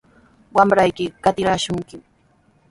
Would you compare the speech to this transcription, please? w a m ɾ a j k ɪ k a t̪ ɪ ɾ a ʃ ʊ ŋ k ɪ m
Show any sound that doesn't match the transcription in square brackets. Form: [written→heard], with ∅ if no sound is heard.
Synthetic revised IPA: w a m ɾ a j k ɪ k a t̪ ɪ ɾ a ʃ ʊ ŋ k ɪ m